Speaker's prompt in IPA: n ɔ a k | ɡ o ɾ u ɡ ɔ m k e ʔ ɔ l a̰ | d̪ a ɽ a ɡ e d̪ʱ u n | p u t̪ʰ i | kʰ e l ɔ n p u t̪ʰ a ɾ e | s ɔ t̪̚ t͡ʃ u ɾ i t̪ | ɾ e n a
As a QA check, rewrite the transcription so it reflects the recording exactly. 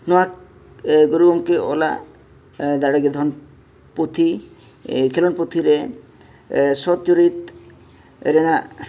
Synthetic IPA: n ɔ a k | ɡ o ɾ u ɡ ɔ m k e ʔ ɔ l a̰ | d̪ a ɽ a ɡ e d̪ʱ ɔ n | p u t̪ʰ i | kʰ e l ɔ n p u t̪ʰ i ɾ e | s ɔ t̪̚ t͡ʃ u ɾ i t̪ | ɾ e n a